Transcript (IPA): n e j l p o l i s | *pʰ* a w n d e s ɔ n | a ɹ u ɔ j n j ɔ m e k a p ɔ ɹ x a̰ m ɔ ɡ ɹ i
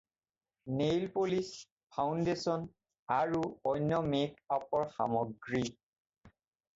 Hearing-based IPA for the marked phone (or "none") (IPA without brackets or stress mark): pʰ